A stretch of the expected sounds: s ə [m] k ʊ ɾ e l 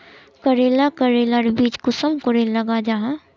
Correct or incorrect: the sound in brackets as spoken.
correct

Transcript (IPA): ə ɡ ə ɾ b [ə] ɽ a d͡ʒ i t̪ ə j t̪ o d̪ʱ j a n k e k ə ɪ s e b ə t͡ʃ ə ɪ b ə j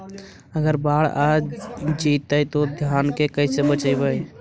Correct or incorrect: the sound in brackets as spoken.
incorrect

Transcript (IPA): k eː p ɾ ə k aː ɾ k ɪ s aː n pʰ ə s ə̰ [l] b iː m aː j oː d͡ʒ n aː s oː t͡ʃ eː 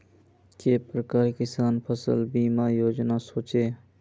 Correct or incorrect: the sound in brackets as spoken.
correct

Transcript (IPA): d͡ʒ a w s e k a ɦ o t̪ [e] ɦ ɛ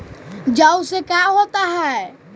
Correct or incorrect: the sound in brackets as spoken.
incorrect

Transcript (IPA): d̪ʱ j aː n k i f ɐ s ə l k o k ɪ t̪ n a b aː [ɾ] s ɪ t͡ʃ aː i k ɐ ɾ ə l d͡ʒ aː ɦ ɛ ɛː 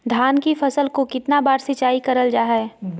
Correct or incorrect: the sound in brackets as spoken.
correct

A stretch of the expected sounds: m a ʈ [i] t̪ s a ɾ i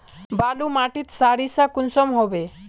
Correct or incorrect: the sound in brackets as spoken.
correct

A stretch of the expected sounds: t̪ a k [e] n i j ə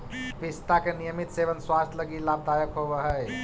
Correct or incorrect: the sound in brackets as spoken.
correct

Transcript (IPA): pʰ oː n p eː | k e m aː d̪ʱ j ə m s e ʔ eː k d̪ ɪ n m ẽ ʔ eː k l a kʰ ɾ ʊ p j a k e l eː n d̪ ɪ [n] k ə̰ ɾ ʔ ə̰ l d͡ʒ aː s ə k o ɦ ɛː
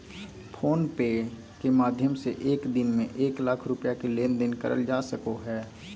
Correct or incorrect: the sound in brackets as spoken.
correct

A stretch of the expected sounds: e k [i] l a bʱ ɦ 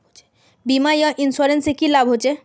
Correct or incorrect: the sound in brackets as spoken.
correct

